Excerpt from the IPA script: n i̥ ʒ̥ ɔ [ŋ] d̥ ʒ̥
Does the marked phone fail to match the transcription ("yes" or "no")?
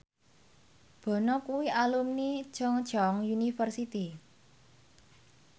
no